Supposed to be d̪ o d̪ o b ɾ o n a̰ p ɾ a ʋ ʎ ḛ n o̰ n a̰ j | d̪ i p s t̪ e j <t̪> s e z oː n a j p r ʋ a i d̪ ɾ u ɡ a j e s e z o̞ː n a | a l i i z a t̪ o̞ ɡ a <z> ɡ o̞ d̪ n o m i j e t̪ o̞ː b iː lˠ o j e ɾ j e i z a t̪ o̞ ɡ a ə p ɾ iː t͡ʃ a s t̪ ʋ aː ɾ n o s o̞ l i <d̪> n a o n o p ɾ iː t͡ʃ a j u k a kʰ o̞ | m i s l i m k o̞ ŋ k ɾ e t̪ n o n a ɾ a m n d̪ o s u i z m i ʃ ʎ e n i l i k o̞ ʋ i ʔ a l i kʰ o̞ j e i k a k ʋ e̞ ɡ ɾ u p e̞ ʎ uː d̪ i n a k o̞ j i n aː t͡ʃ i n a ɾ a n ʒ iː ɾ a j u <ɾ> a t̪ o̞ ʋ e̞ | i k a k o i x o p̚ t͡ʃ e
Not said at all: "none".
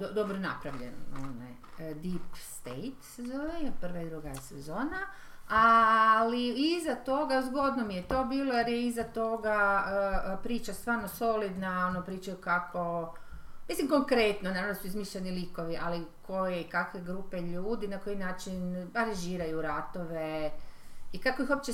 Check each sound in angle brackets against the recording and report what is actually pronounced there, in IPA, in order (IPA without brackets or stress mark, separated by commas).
t̪, z, d̪, ɾ